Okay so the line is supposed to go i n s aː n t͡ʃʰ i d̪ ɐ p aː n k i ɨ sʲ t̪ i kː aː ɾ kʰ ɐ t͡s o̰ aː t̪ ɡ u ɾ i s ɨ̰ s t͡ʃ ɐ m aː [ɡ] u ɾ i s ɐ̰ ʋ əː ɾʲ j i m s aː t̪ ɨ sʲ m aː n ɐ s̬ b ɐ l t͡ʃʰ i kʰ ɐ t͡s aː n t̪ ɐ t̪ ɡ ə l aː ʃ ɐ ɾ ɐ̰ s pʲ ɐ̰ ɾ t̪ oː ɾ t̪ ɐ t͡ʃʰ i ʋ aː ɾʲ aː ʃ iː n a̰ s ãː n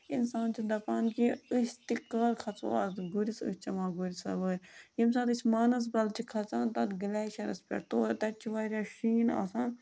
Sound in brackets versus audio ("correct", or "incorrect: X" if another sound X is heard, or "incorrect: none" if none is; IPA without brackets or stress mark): correct